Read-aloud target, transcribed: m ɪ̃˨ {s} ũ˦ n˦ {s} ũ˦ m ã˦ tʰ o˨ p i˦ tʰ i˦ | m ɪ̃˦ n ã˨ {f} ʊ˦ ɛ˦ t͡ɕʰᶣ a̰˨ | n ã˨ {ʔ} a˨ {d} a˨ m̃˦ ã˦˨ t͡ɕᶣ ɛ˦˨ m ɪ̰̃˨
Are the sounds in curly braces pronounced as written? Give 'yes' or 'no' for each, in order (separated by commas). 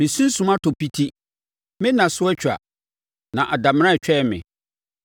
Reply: yes, yes, no, yes, yes